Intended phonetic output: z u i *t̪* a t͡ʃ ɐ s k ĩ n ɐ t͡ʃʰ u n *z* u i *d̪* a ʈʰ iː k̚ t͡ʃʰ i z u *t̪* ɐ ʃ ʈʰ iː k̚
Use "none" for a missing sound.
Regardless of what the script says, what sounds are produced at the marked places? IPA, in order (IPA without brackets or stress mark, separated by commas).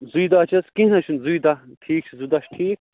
d̪, z, d̪, d̪